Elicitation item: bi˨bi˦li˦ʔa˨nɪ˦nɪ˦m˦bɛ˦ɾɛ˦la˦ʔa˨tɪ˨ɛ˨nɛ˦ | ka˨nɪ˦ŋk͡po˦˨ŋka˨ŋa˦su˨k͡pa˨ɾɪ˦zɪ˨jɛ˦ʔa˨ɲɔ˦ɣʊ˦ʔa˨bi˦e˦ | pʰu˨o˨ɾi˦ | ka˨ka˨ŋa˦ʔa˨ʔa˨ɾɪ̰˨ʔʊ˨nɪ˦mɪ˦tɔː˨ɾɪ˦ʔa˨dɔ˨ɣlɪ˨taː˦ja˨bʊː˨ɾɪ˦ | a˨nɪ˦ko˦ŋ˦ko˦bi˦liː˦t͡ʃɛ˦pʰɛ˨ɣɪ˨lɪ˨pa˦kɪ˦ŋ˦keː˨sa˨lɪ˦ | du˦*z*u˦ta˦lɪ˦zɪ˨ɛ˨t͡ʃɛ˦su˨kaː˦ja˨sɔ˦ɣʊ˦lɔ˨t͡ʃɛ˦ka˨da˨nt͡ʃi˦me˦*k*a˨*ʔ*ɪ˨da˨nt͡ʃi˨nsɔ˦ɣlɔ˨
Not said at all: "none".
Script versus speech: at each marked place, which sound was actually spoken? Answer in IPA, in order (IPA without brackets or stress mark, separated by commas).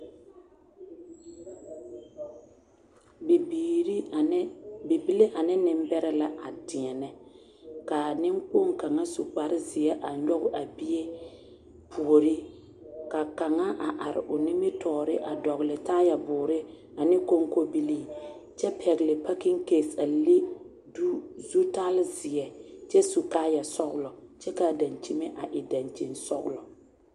z, ʔ, ʔ